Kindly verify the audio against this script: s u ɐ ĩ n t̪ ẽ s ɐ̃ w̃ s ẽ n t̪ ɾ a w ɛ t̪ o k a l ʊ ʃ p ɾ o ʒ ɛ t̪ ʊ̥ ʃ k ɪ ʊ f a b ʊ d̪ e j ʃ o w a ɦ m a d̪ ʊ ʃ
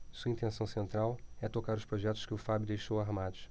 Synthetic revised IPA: s u ɐ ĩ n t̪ ẽ s ɐ̃ w̃ s ẽ n t̪ ɾ a w ɛ t̪ o k a ɾ ʊ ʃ p ɾ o ʒ ɛ t̪ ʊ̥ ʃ k ɪ ʊ f a b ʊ d̪ e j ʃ o w a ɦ m a d̪ ʊ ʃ